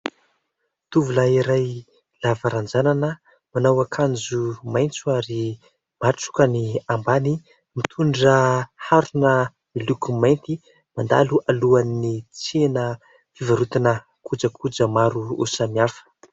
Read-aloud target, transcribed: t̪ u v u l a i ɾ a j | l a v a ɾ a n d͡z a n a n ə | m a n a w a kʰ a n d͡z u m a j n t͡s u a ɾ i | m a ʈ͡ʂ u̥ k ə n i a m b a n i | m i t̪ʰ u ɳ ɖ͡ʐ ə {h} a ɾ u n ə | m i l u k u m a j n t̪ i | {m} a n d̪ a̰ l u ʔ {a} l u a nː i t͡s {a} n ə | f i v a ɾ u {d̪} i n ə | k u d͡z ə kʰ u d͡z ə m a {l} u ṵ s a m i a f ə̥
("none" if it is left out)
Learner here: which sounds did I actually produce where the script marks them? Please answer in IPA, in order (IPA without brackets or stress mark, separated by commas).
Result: h, m, a, e, t̪, ɾ